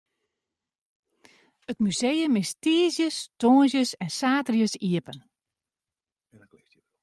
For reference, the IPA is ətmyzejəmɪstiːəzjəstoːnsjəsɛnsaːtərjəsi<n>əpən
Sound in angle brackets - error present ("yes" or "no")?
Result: yes